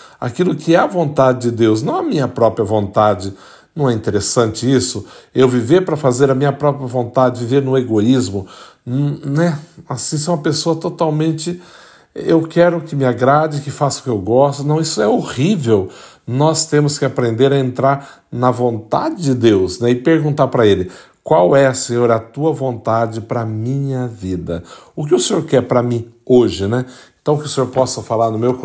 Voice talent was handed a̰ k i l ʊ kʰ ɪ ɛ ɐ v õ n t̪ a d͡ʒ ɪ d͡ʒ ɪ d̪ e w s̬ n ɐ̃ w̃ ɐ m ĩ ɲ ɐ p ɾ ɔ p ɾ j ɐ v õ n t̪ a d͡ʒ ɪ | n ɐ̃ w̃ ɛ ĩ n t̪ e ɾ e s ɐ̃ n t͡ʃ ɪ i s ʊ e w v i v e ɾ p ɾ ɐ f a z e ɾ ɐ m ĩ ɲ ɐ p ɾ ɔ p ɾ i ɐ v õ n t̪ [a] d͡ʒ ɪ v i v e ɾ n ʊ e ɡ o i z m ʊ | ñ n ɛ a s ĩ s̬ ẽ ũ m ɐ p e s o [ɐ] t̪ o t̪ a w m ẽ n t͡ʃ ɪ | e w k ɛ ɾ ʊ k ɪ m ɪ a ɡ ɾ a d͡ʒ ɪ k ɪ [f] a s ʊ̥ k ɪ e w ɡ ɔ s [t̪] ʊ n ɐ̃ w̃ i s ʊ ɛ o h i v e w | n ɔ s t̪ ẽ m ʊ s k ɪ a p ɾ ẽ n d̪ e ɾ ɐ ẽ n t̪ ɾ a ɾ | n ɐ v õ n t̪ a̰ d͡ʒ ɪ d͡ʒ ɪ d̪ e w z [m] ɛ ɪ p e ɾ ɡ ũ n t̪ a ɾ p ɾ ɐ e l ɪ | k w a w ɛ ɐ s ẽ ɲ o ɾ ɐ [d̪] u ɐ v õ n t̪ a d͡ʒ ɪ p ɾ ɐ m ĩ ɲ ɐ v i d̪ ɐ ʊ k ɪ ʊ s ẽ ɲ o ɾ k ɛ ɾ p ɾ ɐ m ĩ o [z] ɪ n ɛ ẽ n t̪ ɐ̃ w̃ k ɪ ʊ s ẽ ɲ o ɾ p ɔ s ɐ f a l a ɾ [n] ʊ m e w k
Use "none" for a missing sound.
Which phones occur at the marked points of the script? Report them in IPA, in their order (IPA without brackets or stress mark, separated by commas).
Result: a, ɐ, f, t̪, n, t̪, ʒ, n